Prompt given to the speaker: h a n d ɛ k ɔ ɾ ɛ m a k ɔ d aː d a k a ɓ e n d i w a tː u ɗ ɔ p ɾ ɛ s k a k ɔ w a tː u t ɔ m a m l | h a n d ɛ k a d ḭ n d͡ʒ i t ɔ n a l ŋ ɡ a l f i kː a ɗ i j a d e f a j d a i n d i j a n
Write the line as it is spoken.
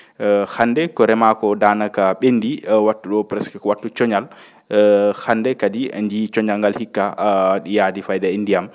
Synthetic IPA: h a n d ɛ k ɔ ɾ ɛ m a k ɔ d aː n a k a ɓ e n d i w a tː u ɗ ɔ p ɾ ɛ s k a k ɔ w a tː u t͡ʃ ɔ ɲ a l | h a n d ɛ k a d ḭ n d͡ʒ i t͡ʃ ɔ ɲ a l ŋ ɡ a l h i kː a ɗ i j a d i f a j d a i n d i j a m